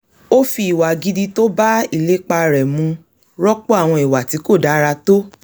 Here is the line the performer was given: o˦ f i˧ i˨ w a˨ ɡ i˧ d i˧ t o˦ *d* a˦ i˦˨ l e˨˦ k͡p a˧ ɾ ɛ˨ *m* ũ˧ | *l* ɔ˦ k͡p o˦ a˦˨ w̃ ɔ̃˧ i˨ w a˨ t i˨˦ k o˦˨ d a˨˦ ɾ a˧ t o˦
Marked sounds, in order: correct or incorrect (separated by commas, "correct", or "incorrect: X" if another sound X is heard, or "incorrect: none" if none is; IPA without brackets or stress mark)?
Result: incorrect: b, correct, incorrect: ɾ